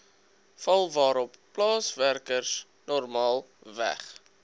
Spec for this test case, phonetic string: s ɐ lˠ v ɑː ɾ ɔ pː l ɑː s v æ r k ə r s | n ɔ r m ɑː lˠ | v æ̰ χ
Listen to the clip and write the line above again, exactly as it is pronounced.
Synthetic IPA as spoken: f ɐ lˠ v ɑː ɾ ɔ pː l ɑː s v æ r k ə r s | n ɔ r m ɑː lˠ | v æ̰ χ